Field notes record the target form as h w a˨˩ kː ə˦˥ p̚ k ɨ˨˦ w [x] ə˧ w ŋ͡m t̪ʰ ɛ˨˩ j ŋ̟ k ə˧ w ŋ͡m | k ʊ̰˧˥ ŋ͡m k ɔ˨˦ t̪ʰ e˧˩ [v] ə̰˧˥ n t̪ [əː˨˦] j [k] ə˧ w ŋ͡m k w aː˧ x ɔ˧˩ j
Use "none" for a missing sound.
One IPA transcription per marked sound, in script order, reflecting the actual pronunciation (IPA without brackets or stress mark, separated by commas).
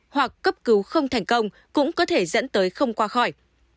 x, z, əː˨˦, x